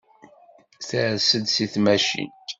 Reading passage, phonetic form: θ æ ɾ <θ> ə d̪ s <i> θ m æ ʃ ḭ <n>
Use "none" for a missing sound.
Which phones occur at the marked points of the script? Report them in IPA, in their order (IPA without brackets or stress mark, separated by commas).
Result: s, i, n